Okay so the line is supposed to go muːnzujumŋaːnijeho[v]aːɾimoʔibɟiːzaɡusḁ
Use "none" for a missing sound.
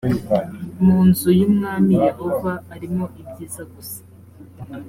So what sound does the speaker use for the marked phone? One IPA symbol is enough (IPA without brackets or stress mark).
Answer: v